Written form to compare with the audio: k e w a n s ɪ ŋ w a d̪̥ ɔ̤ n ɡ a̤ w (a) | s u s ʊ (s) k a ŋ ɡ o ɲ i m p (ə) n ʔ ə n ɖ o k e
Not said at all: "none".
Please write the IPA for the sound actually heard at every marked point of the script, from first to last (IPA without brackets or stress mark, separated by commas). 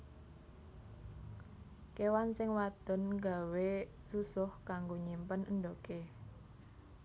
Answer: e, h, ə